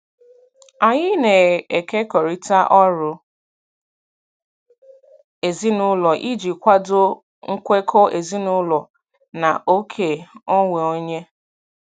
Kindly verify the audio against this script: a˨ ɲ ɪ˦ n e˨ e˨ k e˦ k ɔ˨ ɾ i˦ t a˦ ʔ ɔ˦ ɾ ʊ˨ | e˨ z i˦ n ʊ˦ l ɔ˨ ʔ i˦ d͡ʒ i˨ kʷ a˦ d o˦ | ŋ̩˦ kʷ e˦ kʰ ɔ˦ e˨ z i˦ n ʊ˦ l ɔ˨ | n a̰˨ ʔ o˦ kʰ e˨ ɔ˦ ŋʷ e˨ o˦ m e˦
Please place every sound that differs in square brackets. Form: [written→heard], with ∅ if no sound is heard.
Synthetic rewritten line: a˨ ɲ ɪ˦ n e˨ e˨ k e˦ k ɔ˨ ɾ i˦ t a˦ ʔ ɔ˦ ɾ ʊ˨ | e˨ z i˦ n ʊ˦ l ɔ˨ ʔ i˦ d͡ʒ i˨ kʷ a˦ d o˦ | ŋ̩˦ kʷ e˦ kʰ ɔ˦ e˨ z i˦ n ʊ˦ l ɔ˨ | n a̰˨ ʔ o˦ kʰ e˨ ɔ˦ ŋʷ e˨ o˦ [m→ɲ] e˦